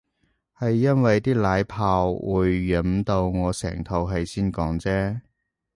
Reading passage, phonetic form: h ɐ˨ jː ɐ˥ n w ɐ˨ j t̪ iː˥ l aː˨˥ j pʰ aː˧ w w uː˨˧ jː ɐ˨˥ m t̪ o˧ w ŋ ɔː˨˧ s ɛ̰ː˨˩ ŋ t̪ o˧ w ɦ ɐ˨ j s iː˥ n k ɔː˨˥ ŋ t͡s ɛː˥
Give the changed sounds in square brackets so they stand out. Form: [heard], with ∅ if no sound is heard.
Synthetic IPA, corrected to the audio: h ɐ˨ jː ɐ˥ n w ɐ˨ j t̪ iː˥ l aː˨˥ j pʰ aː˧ w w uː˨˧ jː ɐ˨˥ m t̪ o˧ w ŋ ɔː˨˧ s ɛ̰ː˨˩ ŋ [t̪ʰ] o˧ w ɦ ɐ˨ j s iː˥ n k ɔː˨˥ ŋ t͡s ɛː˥